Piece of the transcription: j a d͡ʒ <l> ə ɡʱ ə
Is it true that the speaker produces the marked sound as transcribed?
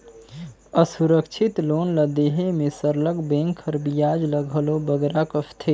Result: yes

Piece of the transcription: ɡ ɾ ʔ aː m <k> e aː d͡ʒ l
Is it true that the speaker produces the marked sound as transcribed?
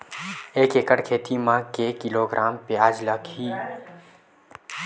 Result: no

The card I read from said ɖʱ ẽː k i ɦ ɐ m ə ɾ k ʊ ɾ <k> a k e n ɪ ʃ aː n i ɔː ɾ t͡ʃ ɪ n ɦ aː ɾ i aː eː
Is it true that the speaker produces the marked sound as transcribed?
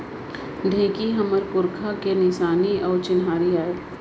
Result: no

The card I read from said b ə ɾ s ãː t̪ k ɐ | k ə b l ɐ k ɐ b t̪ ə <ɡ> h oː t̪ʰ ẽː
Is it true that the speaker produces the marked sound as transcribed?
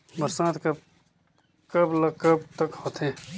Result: no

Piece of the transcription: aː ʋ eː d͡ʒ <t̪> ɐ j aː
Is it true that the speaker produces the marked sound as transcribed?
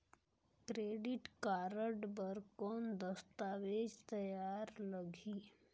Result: yes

